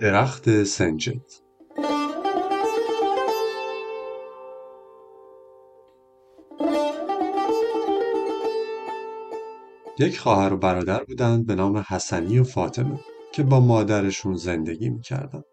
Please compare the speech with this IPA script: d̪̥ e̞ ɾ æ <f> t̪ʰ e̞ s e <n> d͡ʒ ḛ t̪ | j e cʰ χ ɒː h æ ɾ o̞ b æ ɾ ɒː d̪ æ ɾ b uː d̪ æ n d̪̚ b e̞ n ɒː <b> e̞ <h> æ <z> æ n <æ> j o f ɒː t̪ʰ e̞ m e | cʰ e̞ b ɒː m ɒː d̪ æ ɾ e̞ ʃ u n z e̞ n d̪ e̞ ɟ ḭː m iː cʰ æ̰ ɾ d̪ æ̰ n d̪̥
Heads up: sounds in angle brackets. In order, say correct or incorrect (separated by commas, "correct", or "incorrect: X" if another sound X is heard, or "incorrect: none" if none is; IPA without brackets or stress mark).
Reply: incorrect: x, correct, incorrect: m, correct, incorrect: s, incorrect: i